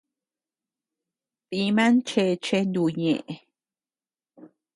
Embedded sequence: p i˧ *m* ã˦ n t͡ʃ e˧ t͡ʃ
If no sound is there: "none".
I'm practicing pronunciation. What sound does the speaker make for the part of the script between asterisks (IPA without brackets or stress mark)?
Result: m